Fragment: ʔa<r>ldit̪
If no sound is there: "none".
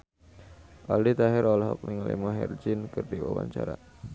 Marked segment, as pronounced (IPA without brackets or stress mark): none